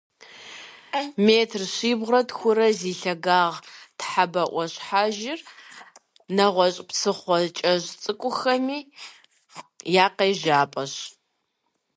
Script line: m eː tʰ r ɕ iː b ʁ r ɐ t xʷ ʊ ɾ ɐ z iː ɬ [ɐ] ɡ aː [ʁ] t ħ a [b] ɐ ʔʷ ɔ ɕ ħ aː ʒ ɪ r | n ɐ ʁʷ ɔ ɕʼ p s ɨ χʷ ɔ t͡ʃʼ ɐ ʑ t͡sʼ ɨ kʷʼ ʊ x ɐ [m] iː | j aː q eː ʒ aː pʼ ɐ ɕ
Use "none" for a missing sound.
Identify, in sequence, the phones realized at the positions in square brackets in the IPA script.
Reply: ɐ, ʁ, b, m

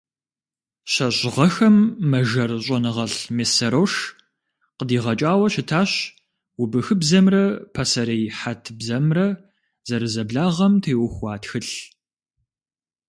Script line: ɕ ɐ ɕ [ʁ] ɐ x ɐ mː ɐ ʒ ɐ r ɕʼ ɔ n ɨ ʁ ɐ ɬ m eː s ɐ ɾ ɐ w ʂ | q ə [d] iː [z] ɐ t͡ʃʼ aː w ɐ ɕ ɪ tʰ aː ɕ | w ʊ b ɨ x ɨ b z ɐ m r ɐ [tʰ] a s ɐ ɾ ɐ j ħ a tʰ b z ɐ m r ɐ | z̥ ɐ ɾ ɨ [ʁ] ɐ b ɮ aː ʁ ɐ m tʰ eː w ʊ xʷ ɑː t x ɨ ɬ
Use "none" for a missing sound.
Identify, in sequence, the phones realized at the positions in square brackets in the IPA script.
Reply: ʁ, d, ʁ, pʰ, z

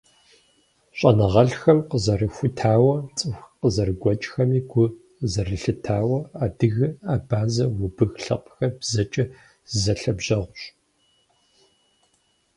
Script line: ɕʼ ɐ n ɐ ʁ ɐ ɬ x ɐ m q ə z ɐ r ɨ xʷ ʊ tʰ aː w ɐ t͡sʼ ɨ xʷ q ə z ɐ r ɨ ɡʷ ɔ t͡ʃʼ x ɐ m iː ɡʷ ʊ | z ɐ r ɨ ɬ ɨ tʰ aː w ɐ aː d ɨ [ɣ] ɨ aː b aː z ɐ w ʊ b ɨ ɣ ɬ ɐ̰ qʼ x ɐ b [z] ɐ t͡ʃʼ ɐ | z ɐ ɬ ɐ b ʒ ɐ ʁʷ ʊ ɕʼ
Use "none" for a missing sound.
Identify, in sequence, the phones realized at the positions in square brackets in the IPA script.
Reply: ɣ, z

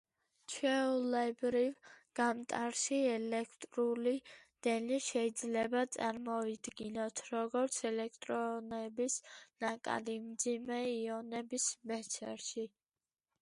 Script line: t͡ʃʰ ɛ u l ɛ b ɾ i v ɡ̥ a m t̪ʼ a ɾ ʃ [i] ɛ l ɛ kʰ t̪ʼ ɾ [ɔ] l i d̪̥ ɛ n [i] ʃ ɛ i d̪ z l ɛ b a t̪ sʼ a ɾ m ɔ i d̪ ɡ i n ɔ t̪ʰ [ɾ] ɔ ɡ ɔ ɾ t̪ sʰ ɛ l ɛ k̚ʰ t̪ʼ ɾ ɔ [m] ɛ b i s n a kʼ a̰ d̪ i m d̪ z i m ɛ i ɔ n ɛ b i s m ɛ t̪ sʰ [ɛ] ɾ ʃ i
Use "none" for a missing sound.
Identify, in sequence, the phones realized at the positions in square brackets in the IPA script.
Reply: i, u, i, ɾ, n, ɛ

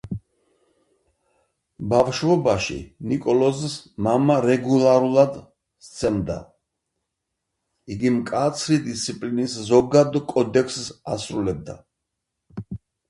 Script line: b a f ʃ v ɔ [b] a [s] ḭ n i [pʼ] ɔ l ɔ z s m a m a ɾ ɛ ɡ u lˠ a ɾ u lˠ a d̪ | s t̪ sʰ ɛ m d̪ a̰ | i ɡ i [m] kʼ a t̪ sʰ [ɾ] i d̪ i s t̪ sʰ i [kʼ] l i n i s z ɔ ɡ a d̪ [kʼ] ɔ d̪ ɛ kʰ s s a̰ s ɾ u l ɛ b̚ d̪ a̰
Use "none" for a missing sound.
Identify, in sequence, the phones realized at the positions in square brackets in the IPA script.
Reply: b, ʃ, kʼ, m, ɾ, pʼ, kʼ

